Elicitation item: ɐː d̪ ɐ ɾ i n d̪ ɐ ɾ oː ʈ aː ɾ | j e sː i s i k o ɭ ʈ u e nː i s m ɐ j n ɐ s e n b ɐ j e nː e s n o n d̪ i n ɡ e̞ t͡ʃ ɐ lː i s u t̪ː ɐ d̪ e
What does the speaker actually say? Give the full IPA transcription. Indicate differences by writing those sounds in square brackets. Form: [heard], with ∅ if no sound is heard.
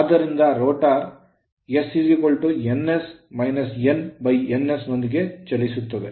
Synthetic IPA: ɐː d̪ ɐ ɾ i n d̪ ɐ ɾ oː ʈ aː ɾ | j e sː i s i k o ɭ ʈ u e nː [e] s m ɐ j n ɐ s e n b ɐ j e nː e s n o n d̪ i [∅] ɡ e̞ t͡ʃ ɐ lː i s u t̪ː ɐ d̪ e